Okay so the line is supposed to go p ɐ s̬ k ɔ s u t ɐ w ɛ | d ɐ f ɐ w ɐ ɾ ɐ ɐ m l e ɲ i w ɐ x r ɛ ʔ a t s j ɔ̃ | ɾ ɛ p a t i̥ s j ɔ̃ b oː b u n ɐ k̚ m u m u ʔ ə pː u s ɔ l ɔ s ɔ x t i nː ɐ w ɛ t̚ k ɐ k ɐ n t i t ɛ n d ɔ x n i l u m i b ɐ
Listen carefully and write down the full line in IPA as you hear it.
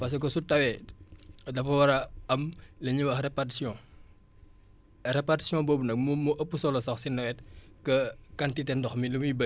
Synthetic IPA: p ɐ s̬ k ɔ s u t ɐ w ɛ | d ɐ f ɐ w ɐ ɾ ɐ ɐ m l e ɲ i w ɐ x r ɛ p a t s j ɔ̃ | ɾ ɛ p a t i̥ s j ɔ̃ b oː b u n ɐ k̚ m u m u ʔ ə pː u s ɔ l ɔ s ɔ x s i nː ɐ w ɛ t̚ k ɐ k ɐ n t i t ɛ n d ɔ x m i l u m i b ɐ

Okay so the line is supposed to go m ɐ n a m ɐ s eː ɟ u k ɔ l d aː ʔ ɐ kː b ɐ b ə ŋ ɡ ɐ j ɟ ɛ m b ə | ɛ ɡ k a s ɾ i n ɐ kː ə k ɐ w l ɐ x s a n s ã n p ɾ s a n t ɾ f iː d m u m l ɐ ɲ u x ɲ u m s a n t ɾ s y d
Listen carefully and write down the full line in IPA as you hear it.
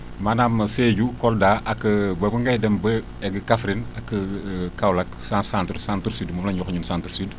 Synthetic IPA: m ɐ n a m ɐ s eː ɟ u k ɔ l d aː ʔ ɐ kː b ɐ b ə ŋ ɡ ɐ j d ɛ m b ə | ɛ ɡ k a f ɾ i n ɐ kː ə k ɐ w l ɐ k s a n s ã n t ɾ s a n t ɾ s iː d m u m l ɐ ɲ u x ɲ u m s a n t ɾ s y d

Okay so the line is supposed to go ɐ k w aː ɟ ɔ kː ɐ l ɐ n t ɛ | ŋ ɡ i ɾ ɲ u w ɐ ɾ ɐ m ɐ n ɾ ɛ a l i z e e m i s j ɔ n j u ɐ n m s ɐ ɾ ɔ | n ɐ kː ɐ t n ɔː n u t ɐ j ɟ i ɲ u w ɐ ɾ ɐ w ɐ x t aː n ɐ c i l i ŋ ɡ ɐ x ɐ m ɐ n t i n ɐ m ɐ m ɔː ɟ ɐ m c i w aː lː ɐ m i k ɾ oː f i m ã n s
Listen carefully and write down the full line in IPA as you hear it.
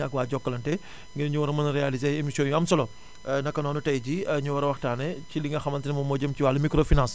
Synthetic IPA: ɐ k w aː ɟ ɔ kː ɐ l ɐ n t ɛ | ŋ ɡ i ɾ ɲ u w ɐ ɾ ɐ m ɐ n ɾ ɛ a l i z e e m i s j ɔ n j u ɐ m s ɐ l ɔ | n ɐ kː ɐ n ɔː n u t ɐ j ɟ i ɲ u w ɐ ɾ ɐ w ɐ x t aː n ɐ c i l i ŋ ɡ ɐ x ɐ m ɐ n t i n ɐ m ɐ m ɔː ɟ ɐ m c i w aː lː ɐ m i k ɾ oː f i n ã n s

